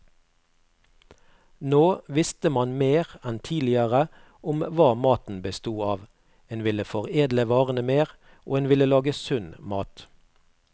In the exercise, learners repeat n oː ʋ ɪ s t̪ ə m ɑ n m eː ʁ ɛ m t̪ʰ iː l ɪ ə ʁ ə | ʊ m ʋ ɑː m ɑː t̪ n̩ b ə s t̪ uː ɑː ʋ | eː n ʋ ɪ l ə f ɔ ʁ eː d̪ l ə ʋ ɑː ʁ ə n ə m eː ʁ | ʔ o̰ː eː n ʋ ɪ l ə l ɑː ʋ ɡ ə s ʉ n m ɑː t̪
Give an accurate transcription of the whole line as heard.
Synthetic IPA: n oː ʋ ɪ s t̪ ə m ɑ n m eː ʁ ɛ n t̪ʰ iː l ɪ ə ʁ ə | ʊ m ʋ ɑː m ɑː t̪ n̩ b ə s t̪ uː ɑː ʋ | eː n ʋ ɪ l ə f ɔ ʁ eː d̪ l ə ʋ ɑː ʁ ə n ə m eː ʁ | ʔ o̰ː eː n ʋ ɪ l ə l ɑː ɡ ə s ʉ n m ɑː t̪